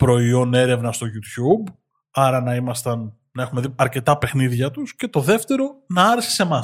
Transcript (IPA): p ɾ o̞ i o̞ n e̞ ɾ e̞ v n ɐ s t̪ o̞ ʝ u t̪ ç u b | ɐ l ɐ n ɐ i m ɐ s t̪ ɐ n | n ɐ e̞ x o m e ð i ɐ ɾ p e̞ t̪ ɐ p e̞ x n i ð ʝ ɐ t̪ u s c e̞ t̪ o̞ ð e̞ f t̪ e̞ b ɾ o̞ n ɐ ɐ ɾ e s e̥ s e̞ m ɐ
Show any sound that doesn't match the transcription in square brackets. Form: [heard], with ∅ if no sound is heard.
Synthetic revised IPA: p ɾ o̞ i o̞ n e̞ ɾ e̞ v n ɐ s t̪ o̞ ʝ u t̪ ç u b | ɐ [ɾ] ɐ n ɐ i m ɐ s t̪ ɐ n | n ɐ e̞ x [u] m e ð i ɐ ɾ [c] e̞ t̪ ɐ p e̞ x n i ð ʝ ɐ t̪ u s c e̞ t̪ o̞ ð e̞ f t̪ e̞ [∅] ɾ o̞ n ɐ ɐ ɾ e s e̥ s e̞ m ɐ